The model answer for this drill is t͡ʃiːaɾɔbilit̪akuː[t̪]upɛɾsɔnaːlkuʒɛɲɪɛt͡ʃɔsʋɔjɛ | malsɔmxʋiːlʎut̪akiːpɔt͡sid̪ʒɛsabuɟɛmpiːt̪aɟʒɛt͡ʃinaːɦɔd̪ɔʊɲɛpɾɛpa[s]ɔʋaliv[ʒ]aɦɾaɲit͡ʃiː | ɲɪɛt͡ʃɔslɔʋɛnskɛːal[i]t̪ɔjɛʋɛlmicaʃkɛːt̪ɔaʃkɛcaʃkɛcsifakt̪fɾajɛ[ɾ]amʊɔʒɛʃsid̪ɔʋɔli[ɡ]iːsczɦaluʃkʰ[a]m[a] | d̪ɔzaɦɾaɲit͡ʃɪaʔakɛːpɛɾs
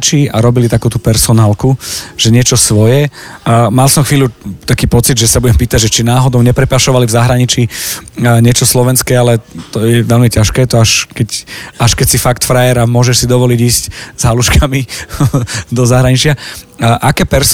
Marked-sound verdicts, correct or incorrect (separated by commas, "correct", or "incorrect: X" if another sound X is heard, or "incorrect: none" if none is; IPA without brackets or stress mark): correct, incorrect: ʃ, incorrect: z, incorrect: ɛ, correct, incorrect: ɟ, correct, incorrect: i